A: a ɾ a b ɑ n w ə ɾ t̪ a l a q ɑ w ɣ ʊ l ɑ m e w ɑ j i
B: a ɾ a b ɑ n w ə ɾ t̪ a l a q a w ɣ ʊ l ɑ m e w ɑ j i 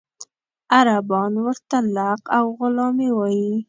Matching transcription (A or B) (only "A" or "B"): B